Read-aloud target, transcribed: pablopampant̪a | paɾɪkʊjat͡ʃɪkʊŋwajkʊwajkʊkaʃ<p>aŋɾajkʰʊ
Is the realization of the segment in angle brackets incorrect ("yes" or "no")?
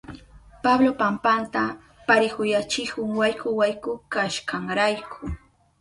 yes